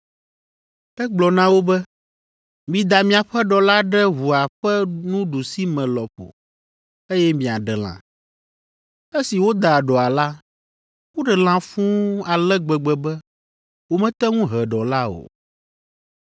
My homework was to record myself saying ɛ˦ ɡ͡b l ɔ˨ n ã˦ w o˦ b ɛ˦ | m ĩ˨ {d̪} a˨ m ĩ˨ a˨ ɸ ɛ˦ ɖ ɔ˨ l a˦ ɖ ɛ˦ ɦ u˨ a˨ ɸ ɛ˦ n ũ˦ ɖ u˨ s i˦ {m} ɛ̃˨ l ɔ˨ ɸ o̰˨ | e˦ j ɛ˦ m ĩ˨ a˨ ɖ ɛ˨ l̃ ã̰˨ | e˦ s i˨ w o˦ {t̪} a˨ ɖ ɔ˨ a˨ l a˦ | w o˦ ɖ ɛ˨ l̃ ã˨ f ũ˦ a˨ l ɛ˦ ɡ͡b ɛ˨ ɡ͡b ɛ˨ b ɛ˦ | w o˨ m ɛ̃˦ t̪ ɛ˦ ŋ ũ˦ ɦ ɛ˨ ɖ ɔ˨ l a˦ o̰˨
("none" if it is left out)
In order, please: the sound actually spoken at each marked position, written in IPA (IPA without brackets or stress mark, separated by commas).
d̪, m, d̪